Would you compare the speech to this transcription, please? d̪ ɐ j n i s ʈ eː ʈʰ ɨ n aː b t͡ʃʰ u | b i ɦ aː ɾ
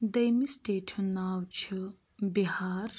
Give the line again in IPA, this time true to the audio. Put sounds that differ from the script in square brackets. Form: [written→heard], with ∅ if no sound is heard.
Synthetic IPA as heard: d̪ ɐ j [n→m] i s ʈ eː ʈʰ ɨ n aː [b→w] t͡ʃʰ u | b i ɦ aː ɾ